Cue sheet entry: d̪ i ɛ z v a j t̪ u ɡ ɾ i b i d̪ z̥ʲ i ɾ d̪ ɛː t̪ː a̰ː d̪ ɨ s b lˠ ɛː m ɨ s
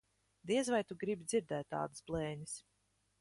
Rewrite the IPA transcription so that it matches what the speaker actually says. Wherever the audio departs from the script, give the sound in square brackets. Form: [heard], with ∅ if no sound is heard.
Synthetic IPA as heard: d̪ i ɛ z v a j t̪ u ɡ ɾ i b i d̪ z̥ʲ i ɾ d̪ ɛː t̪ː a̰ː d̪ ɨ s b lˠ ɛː [ɲ] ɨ s